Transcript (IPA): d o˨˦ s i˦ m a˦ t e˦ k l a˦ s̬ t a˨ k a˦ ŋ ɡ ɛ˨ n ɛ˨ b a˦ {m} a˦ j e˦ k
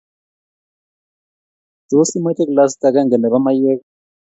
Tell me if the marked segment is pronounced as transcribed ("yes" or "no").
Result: yes